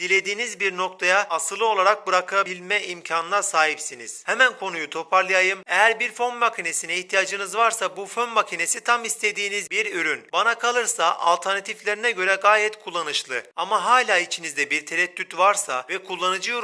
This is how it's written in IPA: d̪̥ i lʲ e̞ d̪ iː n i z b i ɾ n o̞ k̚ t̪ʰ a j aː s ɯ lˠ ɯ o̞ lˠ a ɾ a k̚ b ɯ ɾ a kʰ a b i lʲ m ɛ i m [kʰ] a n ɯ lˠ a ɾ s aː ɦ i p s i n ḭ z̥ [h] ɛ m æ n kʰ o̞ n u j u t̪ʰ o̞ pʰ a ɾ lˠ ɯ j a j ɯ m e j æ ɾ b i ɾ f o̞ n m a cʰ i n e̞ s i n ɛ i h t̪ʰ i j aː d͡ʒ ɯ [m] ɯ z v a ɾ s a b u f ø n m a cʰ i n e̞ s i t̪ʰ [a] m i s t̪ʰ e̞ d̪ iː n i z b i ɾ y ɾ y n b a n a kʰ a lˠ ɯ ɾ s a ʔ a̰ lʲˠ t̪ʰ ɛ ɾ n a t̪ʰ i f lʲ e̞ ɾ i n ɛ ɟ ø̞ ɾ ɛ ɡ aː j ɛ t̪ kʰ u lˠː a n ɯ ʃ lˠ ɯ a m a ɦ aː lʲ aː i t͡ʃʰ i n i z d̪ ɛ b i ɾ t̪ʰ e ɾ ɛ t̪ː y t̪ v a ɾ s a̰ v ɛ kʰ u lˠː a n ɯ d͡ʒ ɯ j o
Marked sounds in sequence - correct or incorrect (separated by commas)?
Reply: incorrect, correct, incorrect, correct